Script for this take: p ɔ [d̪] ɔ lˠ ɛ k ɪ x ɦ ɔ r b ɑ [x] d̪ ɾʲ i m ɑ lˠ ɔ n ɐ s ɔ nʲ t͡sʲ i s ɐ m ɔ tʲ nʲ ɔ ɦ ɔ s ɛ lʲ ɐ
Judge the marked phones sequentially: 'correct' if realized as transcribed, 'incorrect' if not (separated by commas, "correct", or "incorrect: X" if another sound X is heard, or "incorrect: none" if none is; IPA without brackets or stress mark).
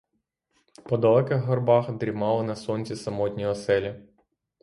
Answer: correct, correct